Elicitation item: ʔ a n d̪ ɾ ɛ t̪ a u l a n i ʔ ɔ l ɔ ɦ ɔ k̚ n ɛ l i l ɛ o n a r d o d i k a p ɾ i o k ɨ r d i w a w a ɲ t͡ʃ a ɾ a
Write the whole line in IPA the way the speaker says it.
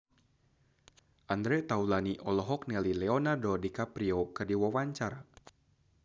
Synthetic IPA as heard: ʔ a n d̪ ɾ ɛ t̪ a u l a n i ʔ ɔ l ɔ ɦ ɔ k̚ n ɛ l i l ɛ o n a r d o d i k a p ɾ i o k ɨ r d i w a w a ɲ t͡ʃ a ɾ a